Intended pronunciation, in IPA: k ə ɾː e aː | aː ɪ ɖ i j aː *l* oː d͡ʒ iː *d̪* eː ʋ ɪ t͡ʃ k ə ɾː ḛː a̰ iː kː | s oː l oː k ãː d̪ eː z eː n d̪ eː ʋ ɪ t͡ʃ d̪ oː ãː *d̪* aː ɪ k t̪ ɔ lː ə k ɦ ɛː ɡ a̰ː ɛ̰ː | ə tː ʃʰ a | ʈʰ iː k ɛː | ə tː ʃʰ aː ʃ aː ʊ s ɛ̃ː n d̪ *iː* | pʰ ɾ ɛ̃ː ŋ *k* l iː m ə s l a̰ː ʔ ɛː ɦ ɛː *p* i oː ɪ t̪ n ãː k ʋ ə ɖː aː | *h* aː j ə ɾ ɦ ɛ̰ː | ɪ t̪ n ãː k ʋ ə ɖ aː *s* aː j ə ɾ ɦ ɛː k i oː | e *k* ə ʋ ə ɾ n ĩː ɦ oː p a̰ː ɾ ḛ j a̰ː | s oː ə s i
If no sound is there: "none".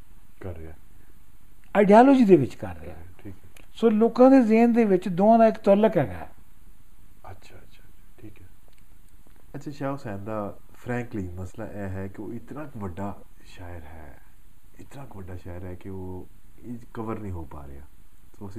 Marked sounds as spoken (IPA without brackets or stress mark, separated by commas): l, d̪, d̪, aː, k, k, ʃ, ʃ, k